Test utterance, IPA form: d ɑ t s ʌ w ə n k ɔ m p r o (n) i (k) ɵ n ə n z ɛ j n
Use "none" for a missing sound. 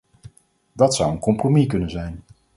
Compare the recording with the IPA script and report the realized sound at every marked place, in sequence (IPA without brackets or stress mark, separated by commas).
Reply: m, k